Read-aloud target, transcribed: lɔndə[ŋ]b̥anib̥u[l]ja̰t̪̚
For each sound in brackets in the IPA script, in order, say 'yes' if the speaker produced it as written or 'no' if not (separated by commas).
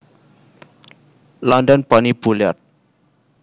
no, yes